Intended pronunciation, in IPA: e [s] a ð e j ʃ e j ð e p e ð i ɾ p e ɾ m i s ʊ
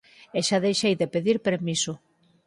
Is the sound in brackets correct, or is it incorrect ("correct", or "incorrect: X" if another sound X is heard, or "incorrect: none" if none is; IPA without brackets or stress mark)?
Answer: incorrect: ʃ